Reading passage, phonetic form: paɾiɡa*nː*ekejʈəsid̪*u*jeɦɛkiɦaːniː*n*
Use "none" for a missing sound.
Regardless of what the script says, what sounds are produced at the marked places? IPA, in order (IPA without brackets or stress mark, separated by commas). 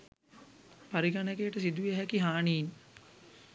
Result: n, u, n